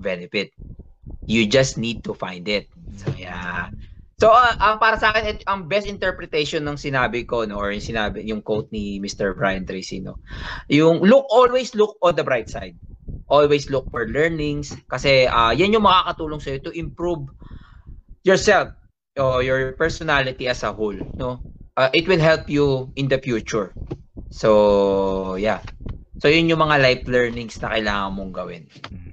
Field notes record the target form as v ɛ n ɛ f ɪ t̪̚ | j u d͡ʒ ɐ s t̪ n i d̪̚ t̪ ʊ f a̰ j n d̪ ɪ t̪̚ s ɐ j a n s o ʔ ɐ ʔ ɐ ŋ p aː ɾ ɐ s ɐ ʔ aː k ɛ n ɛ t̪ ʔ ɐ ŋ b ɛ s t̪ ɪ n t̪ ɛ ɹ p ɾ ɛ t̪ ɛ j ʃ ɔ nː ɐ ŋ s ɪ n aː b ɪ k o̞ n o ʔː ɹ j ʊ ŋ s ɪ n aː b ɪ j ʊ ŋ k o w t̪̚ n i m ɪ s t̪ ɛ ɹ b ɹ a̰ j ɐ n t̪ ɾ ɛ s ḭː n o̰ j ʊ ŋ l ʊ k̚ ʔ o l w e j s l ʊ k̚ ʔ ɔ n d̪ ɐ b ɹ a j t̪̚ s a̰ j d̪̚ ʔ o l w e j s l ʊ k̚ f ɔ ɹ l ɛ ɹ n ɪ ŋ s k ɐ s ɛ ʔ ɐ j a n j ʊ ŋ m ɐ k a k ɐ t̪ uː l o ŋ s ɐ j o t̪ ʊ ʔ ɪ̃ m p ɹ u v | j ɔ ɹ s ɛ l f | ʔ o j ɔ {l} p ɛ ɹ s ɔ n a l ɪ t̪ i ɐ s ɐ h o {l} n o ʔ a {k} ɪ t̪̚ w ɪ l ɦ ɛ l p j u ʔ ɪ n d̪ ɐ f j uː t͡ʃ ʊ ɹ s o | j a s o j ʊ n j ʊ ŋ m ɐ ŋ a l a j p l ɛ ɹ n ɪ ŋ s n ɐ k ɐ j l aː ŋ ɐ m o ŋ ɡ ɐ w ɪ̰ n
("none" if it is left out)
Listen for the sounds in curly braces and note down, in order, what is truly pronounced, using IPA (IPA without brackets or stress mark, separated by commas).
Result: ɹ, l, ʔ